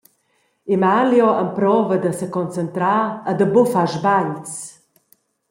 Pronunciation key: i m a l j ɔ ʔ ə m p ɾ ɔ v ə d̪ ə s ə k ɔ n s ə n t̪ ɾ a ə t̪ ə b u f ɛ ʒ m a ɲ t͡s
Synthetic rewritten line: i m a l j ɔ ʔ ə m p ɾ ɔ v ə d̪ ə s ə k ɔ n t͡s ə n t̪ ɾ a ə d̪ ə b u f a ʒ b a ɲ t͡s